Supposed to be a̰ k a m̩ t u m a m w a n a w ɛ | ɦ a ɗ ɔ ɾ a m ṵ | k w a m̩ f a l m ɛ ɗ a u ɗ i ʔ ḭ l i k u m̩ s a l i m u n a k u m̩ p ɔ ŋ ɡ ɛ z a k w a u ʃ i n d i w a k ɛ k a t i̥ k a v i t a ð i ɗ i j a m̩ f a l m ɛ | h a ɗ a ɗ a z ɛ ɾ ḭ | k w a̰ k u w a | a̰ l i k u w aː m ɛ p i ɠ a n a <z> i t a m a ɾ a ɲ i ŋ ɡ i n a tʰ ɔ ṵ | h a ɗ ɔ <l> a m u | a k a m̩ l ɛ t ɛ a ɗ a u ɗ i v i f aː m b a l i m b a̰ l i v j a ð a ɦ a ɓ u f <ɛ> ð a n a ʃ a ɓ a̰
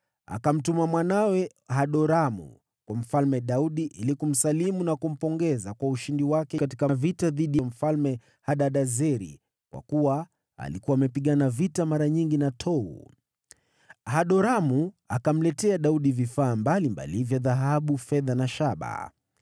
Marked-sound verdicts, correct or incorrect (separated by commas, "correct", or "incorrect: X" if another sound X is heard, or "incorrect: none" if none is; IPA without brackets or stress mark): incorrect: v, incorrect: ɾ, correct